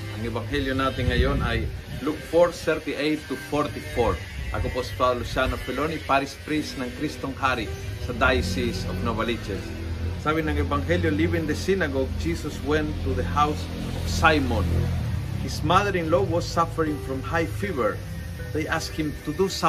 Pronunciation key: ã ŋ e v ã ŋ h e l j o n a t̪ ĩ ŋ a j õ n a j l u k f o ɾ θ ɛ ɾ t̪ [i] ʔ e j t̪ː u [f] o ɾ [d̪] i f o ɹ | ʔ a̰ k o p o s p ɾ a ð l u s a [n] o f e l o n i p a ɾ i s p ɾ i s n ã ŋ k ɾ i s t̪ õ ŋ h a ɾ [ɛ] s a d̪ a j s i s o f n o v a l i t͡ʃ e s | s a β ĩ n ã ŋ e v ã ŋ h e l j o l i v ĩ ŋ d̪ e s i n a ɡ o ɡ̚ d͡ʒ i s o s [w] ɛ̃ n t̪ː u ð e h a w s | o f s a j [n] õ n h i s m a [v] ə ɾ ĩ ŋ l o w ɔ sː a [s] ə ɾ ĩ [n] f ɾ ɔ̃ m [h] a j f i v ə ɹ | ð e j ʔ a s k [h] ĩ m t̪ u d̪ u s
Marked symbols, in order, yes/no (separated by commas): yes, yes, no, yes, no, yes, no, no, no, no, yes, yes